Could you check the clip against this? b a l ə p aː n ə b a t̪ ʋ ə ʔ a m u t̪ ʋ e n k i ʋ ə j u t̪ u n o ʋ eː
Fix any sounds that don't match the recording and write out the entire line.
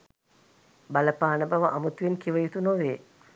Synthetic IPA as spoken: b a l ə p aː n ə b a ʋ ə ʔ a m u t̪ ʋ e n k i ʋ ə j u t̪ u n o ʋ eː